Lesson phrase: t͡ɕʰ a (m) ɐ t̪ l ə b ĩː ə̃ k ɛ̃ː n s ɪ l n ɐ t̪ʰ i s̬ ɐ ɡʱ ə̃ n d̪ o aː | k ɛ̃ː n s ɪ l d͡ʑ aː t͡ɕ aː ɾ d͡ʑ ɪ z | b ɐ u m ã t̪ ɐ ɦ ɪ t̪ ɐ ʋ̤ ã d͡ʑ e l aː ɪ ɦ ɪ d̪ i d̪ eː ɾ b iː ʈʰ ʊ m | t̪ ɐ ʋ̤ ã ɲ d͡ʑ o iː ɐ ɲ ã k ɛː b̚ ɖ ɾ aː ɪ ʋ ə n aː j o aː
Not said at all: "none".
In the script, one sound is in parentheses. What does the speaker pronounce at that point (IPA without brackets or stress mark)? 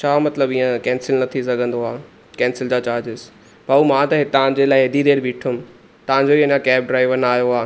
m